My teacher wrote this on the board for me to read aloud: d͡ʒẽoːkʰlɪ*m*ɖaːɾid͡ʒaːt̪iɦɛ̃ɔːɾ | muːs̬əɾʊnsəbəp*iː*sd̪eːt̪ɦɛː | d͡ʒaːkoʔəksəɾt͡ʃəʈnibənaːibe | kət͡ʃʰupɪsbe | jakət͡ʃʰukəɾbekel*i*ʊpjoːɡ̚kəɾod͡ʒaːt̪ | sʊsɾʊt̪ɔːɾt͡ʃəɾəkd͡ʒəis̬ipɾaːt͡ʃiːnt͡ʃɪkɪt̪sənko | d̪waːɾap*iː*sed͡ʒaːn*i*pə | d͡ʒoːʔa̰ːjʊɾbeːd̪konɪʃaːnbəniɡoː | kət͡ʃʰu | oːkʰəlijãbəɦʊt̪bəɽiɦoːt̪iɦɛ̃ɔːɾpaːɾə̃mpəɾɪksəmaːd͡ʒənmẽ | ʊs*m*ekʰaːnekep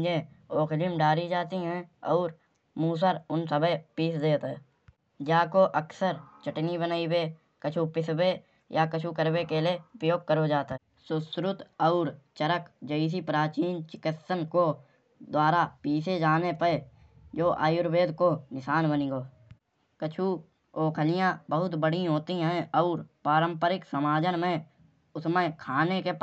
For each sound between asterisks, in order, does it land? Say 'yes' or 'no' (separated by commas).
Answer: yes, yes, no, yes, no, yes